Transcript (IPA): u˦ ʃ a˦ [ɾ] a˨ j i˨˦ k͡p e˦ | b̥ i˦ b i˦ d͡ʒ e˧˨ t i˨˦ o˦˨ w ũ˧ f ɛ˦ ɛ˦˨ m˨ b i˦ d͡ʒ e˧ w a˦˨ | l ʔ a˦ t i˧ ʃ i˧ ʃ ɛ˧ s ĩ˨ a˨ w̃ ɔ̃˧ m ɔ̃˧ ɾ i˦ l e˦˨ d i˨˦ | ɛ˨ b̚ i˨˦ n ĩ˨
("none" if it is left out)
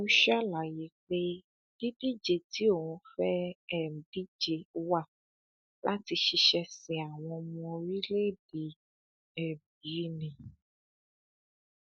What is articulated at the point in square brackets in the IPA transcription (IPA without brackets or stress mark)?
l